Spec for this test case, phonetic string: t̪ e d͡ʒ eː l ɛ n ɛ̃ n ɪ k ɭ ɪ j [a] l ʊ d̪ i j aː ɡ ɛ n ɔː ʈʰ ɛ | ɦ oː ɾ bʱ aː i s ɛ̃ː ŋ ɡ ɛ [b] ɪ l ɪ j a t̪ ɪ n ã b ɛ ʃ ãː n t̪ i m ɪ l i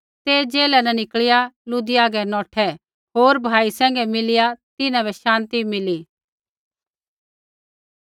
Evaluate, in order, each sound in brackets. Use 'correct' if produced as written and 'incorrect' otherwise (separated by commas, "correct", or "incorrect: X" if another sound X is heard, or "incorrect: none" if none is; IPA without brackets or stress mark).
correct, incorrect: m